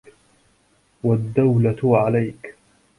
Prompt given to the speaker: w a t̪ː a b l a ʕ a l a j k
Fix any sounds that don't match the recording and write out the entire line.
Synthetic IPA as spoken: w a d̪ː a w l a ʕ a l a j k